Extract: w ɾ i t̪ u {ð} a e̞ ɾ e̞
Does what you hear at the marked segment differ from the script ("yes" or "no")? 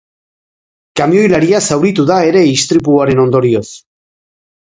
no